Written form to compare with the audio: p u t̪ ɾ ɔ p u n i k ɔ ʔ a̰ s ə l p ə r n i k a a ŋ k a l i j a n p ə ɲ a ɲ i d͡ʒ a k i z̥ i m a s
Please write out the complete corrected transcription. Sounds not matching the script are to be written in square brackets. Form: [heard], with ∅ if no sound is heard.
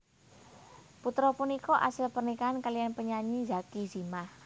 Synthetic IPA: p u t̪ ɾ ɔ p u n i k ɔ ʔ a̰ s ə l p ə r n i k a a [n] k a l i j a n p ə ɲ a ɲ i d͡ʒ a k i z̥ i m a [h]